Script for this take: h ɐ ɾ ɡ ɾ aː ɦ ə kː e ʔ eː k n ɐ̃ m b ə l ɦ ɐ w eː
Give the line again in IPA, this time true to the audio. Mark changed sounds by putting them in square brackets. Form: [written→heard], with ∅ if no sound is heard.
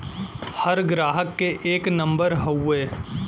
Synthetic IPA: h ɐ ɾ ɡ ɾ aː ɦ ə kː e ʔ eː k n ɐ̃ m b ə [l→ɾ] ɦ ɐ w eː